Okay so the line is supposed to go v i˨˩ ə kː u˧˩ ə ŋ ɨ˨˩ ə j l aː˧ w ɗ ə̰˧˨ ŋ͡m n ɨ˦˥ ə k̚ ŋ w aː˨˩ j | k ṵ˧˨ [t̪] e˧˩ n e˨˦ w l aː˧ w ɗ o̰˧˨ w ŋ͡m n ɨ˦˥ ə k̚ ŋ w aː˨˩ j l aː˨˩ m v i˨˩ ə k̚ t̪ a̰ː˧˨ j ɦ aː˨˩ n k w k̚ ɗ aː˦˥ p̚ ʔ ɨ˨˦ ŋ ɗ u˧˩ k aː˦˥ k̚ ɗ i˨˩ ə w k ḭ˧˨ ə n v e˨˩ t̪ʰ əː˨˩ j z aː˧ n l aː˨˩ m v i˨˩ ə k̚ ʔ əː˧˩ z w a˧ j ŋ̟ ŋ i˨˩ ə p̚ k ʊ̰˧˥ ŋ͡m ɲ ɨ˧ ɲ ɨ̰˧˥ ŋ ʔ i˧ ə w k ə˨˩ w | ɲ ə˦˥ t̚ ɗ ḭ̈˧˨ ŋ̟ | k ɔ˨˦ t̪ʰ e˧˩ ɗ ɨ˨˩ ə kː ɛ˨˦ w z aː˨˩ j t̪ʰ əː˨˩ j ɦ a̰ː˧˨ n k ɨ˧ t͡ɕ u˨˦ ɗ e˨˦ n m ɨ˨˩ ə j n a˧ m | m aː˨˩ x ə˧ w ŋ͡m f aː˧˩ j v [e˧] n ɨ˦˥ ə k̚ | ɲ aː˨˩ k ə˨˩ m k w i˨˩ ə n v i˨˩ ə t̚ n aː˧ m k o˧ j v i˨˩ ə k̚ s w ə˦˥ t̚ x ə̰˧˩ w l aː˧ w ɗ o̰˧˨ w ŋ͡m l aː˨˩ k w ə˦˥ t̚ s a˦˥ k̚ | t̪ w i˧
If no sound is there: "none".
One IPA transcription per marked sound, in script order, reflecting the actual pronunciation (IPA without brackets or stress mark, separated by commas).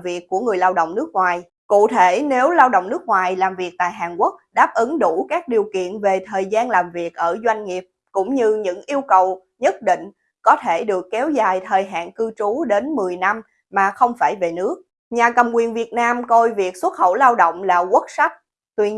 t̪ʰ, e˨˩